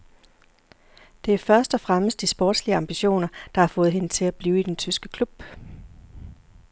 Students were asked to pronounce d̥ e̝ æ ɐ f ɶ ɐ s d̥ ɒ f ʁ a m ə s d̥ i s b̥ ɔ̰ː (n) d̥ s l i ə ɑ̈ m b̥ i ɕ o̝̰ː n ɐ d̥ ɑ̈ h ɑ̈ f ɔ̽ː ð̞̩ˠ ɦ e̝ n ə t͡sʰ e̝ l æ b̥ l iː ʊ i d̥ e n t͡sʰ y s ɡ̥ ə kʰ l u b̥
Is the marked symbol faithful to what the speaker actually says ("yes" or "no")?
no